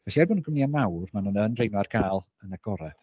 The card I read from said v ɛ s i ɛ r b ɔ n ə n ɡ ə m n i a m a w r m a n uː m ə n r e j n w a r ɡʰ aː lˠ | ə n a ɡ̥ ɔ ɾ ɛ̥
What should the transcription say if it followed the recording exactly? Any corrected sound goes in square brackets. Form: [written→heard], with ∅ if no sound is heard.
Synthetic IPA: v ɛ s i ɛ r b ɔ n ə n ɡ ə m n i a m a w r m a n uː [m→n] ə n r e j n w a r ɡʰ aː lˠ | ə n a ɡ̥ ɔ ɾ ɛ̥